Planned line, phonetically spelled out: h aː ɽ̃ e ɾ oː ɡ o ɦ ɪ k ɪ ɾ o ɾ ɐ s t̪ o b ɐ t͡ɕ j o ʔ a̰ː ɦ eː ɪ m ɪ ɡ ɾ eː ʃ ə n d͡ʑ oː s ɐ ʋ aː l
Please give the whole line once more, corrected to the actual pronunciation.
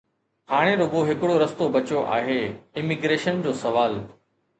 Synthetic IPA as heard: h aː ɽ̃ e ɾ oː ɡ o ɦ ɪ k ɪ ɽ o ɾ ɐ s t̪ o b ɐ t͡ɕ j o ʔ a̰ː ɦ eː ɪ m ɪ ɡ ɾ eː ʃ ə n d͡ʑ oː s ɐ ʋ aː l